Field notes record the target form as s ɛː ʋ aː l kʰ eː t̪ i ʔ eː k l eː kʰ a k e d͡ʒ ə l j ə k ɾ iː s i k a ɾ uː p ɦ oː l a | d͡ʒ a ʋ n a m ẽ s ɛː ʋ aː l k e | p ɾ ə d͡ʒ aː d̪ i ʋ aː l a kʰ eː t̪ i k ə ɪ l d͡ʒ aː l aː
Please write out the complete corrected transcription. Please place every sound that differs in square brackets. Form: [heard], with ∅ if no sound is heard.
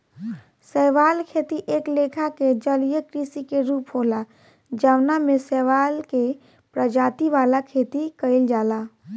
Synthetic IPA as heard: s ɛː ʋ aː l kʰ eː t̪ i ʔ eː k l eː kʰ a k e d͡ʒ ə l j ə k ɾ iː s i k [e] ɾ uː p ɦ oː l a | d͡ʒ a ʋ n a m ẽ s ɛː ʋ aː l k e | p ɾ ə d͡ʒ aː [t̪] i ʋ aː l a kʰ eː t̪ i k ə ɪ l d͡ʒ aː l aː